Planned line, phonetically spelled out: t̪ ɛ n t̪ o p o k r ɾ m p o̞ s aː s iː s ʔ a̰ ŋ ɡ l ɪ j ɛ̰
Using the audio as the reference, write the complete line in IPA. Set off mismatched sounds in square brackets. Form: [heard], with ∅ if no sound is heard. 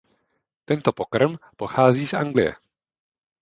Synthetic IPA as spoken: t̪ ɛ n t̪ o p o k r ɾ m p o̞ [x] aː [z] iː s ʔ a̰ ŋ ɡ l ɪ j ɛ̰